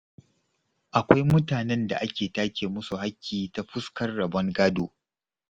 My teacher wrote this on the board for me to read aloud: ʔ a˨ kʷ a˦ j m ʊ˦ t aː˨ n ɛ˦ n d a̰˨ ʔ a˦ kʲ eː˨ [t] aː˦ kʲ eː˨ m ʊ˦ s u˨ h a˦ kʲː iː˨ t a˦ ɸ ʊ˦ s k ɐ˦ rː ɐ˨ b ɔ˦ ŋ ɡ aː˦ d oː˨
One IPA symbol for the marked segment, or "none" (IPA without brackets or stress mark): t